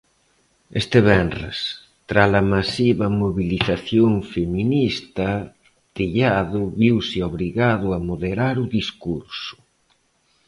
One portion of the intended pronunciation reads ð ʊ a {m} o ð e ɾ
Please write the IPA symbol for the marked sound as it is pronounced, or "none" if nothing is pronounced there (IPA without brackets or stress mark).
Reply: m